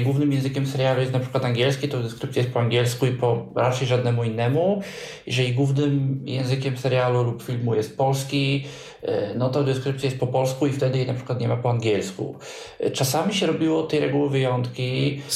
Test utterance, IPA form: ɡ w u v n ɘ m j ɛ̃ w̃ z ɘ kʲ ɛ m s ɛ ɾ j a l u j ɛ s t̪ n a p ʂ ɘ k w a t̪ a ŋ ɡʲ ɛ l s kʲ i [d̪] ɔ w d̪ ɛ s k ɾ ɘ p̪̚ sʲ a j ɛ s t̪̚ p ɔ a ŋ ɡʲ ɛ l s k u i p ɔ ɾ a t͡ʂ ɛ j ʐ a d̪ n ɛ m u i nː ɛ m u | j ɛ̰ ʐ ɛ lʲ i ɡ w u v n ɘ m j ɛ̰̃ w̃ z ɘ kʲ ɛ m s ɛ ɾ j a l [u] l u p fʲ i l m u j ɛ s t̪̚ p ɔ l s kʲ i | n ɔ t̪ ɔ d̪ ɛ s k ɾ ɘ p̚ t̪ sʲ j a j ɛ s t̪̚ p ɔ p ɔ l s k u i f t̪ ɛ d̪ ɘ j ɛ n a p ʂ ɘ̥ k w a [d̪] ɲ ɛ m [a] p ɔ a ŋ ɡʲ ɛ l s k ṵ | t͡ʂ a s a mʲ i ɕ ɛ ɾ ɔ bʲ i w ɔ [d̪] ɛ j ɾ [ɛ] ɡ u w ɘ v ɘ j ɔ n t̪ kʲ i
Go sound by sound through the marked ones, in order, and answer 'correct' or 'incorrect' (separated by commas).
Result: incorrect, correct, incorrect, correct, incorrect, correct